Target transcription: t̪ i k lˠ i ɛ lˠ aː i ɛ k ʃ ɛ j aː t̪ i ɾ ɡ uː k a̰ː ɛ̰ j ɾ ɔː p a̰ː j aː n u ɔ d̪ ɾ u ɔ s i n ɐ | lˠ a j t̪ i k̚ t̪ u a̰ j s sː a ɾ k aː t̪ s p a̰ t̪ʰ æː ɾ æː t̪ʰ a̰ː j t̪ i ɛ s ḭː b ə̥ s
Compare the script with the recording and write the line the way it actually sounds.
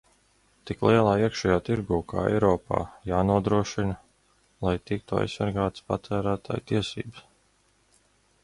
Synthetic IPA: t̪ i k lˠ i ɛ lˠ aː i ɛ k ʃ ɛ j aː t̪ i ɾ ɡ uː k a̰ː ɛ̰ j ɾ ɔː p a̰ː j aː n u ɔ d̪ ɾ u ɔ ʃ i n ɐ | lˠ a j t̪ i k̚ t̪ u a̰ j s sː a ɾ ɡ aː t̪ s p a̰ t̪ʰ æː ɾ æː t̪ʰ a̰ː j t̪ i ɛ s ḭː b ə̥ s